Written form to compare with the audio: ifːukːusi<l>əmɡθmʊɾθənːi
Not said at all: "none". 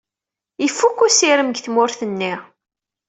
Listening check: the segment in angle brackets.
ɾ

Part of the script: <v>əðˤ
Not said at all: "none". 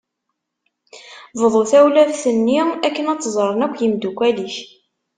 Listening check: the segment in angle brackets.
v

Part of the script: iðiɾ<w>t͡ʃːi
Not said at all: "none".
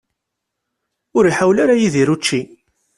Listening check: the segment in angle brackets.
u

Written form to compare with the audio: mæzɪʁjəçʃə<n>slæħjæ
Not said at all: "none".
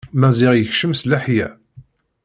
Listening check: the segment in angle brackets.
m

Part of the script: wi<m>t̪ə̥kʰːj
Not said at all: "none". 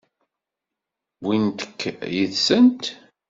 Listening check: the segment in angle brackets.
n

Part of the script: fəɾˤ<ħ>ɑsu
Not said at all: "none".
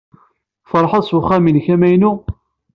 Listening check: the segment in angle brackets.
ħ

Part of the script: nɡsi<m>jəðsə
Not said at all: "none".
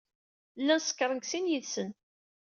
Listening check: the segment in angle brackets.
n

